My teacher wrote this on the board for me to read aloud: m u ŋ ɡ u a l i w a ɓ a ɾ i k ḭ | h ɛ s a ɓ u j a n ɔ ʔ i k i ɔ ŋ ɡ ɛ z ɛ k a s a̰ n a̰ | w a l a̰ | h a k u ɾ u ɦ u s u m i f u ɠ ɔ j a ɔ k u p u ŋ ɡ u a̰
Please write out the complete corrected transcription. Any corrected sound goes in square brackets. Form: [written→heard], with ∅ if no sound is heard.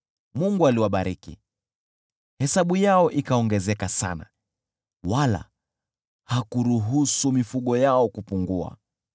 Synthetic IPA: m u ŋ ɡ u a l i w a ɓ a ɾ i k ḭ | h ɛ s a ɓ u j a [n→∅] ɔ ʔ i k [i→a] ɔ ŋ ɡ ɛ z ɛ k a s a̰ n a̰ | w a l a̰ | h a k u ɾ u ɦ u s u m i f u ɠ ɔ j a ɔ k u p u ŋ ɡ u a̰